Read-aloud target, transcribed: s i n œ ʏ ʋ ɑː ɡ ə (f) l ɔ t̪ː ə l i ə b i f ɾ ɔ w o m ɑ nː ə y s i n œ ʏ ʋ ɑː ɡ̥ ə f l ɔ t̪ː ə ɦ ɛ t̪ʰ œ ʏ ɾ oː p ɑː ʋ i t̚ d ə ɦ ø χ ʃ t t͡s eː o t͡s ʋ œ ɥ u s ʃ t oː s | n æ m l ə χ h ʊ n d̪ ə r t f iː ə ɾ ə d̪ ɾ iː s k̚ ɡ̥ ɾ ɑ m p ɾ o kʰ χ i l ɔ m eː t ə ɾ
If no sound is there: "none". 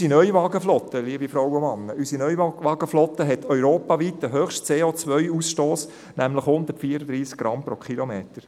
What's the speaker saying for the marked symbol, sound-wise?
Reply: f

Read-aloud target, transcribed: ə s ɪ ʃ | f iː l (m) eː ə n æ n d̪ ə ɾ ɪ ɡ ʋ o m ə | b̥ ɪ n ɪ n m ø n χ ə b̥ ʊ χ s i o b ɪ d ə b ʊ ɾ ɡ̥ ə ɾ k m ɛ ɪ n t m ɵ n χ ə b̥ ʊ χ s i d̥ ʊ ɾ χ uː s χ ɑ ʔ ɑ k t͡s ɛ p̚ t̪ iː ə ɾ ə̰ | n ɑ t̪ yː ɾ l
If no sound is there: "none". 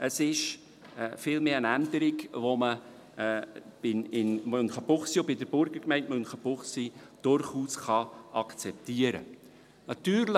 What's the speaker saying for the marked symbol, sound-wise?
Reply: m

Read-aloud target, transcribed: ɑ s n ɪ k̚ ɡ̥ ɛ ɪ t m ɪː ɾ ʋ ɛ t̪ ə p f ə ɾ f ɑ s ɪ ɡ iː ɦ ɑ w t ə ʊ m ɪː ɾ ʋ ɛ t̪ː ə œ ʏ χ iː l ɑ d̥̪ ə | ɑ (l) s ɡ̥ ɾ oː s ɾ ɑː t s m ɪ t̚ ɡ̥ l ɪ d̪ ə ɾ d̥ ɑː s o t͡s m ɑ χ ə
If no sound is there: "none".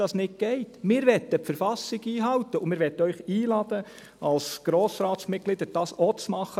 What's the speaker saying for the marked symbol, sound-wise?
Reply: l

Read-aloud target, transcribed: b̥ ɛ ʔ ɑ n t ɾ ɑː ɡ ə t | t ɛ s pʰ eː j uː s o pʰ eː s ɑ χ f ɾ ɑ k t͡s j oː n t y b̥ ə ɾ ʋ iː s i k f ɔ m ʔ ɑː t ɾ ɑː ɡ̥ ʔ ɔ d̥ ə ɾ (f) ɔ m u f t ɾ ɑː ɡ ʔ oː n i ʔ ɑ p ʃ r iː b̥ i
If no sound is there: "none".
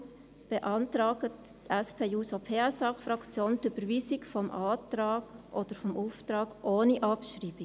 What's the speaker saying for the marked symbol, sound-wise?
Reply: f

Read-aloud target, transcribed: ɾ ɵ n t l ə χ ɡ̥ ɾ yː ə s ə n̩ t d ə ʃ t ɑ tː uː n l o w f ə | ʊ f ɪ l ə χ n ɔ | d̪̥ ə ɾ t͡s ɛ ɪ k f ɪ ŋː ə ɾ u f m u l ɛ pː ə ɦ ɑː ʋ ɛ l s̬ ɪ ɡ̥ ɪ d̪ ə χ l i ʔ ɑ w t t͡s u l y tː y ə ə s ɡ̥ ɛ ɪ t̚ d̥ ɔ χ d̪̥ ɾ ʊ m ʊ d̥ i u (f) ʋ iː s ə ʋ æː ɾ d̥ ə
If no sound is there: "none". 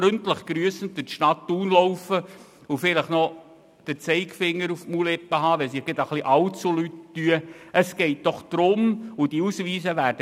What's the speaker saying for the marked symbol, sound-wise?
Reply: s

